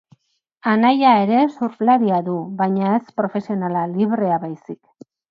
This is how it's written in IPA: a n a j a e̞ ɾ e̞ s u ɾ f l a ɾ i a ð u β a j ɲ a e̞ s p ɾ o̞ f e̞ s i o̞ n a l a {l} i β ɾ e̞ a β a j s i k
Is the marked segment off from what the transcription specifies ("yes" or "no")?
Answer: no